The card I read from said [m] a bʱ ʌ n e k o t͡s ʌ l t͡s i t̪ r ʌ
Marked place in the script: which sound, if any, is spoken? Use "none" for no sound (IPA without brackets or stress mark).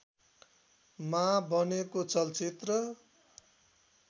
m